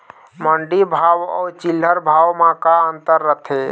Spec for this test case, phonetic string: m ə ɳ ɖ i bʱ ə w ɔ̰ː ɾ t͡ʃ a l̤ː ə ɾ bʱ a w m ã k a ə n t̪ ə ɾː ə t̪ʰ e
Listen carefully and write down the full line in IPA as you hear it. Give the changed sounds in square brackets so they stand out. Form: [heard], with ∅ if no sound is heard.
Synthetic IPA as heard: m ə ɳ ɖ i bʱ [a] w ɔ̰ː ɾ t͡ʃ [i] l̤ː ə ɾ bʱ a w m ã k a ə n t̪ ə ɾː ə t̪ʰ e